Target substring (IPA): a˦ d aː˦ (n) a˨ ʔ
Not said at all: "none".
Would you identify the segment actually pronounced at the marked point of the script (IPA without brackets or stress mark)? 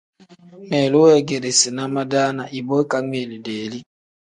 n